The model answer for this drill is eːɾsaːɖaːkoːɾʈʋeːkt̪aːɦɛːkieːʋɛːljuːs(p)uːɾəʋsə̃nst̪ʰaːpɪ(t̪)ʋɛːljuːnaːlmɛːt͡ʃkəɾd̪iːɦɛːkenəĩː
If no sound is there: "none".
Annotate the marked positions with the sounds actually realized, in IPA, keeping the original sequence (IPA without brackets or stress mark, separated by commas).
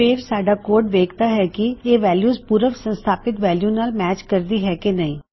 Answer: p, t̪